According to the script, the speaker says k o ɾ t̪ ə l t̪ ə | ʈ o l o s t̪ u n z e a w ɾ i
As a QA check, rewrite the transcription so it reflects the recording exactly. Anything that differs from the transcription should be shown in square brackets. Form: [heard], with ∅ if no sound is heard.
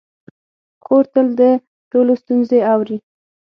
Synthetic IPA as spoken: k o ɾ t̪ ə l [d̪] ə | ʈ o l o s t̪ u n z e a w ɾ i